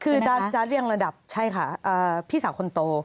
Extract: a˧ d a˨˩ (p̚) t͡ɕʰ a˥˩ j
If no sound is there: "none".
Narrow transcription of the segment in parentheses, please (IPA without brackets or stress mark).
p̚